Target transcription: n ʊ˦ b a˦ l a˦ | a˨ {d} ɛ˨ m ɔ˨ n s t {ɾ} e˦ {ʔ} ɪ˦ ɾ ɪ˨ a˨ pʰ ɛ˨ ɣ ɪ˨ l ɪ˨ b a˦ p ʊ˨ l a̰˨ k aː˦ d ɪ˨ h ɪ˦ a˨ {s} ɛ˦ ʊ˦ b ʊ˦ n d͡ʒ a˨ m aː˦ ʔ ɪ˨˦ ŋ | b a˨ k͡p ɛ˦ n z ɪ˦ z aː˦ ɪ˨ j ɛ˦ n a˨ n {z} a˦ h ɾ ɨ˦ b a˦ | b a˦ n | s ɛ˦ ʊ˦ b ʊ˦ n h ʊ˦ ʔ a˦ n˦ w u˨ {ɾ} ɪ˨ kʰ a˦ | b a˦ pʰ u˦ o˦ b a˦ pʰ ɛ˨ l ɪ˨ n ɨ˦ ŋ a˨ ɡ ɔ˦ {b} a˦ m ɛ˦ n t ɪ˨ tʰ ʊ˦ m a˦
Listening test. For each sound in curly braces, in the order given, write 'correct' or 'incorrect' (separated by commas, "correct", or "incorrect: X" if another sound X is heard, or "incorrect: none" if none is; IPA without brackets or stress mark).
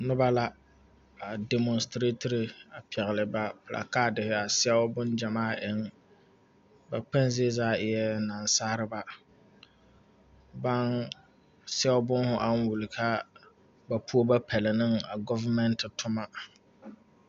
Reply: correct, correct, incorrect: t, correct, incorrect: s, incorrect: l, incorrect: v